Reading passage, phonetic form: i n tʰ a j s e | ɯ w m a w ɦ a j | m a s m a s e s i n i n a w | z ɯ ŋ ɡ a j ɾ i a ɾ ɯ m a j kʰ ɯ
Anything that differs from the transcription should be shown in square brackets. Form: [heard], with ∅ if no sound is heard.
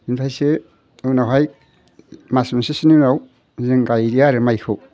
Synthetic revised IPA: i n [pʰ] a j s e | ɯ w [n] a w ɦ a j | m a s m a s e s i n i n a w | z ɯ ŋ ɡ a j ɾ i a ɾ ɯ m a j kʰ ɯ